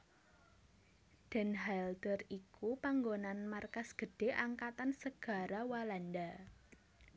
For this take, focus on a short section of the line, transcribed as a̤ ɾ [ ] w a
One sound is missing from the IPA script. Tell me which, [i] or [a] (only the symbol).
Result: a